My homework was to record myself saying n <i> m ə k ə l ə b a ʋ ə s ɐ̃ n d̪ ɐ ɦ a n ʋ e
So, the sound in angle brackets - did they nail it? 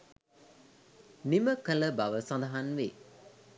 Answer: yes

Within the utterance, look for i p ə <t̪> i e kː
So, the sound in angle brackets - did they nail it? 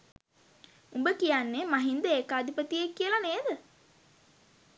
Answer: yes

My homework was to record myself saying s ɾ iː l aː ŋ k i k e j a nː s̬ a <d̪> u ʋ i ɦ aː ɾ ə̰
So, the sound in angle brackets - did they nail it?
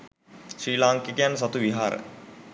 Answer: no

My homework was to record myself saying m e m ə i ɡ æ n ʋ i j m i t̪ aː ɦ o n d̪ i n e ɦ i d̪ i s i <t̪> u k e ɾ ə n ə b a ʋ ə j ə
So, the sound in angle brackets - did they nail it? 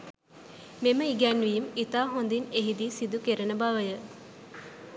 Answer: no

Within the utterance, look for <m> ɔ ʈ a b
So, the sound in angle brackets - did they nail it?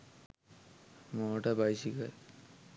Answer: yes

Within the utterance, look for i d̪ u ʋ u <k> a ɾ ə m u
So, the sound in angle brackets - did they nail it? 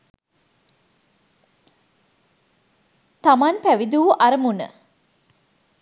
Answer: no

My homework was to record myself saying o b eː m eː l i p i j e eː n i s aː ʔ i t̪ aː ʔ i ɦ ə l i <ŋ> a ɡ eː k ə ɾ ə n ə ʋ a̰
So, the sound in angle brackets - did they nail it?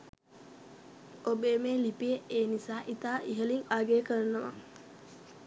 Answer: yes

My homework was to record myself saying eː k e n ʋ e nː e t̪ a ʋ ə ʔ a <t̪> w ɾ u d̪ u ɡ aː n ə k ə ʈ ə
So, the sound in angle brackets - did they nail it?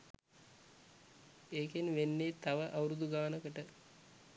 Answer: no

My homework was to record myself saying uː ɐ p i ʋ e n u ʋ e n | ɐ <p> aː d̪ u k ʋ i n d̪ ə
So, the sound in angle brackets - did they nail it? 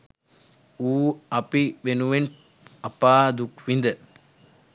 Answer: yes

